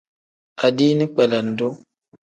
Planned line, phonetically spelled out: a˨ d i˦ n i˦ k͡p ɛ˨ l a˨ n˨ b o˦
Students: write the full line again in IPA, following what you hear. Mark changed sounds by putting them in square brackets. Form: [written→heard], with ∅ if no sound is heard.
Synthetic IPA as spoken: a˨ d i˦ n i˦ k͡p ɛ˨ l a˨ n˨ [b→d] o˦